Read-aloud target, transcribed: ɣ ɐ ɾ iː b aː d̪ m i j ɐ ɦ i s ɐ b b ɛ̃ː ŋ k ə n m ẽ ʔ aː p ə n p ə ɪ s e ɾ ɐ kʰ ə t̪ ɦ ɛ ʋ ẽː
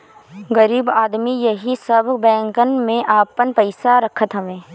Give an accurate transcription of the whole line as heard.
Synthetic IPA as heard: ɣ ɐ ɾ iː b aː d̪ m i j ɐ ɦ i s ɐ b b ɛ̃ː ŋ k ə n m ẽ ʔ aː p ə n p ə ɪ s a ɾ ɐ kʰ ə t̪ ɦ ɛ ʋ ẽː

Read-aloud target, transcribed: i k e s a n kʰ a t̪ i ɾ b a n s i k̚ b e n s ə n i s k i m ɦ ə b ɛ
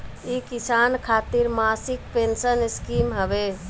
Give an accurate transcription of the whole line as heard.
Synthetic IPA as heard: i k i s a n kʰ a t̪ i ɾ m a s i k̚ p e n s ə n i s k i m ɦ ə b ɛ

